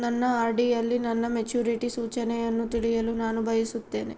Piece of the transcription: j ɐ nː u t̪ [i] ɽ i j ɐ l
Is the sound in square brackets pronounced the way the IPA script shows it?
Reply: yes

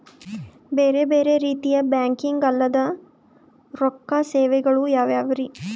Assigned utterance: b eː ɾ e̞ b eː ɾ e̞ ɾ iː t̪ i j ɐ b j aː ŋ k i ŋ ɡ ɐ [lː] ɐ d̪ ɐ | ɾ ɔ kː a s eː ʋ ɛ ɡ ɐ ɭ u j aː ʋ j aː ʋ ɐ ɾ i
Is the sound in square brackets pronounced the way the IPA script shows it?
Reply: yes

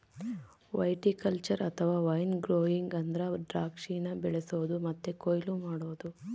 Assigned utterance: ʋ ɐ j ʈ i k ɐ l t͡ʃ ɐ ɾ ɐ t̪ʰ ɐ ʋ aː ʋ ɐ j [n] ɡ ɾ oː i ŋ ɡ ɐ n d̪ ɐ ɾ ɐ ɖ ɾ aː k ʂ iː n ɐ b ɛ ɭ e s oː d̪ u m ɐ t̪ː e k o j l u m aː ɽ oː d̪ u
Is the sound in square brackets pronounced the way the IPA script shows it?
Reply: yes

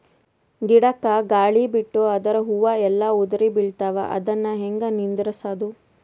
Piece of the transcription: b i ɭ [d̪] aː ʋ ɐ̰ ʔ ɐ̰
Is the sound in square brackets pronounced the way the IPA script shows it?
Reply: no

